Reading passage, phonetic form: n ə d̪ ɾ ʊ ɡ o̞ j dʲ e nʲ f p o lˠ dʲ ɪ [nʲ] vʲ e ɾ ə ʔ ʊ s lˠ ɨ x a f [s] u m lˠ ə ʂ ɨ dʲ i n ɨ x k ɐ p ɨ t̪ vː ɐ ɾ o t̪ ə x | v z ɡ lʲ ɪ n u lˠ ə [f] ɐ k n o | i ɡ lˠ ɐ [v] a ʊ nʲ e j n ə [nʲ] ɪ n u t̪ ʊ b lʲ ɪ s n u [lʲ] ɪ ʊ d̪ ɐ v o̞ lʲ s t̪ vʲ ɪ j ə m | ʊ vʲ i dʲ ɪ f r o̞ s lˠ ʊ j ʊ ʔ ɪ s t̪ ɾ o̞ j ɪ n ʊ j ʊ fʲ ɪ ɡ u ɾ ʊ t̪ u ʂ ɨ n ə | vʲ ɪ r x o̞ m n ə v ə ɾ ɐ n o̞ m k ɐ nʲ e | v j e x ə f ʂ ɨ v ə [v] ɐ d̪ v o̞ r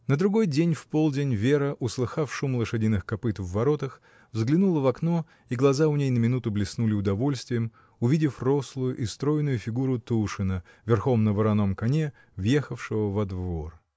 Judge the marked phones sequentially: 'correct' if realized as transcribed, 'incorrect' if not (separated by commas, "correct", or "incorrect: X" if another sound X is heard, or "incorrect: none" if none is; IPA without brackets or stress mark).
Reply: correct, incorrect: ʂ, incorrect: v, incorrect: z, incorrect: mʲ, correct, correct